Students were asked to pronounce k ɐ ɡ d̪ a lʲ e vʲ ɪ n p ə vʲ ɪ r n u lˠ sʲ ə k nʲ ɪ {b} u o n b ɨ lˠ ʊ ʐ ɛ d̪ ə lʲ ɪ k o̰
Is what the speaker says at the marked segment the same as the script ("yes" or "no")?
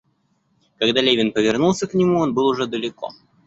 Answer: no